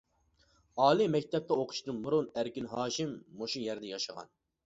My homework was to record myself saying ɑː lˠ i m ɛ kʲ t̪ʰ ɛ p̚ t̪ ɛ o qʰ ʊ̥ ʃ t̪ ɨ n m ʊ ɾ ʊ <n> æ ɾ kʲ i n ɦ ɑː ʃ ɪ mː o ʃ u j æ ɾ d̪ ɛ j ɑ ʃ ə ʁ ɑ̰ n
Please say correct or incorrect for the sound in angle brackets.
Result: correct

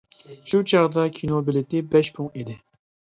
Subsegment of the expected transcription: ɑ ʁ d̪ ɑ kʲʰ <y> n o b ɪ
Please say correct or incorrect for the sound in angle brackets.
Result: incorrect: i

